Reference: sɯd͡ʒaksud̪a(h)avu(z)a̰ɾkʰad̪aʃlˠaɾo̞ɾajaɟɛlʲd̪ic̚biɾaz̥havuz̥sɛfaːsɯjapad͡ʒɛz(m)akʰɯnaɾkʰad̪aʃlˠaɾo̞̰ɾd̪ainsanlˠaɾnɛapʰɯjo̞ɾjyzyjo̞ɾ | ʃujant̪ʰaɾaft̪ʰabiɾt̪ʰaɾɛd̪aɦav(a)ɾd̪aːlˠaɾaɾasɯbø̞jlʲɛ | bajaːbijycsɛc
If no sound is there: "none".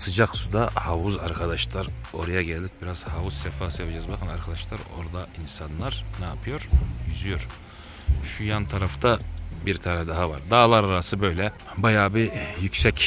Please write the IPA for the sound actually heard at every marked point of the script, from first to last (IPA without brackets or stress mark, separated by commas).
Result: h, z, b, a